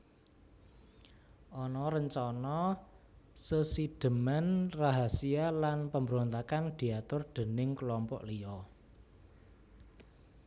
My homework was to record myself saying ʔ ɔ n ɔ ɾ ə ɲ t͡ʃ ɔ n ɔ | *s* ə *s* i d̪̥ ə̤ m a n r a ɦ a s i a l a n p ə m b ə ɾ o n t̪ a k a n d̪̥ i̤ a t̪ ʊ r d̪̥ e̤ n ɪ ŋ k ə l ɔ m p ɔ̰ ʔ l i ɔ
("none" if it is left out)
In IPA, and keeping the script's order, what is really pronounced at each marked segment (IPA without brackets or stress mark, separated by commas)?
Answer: s, s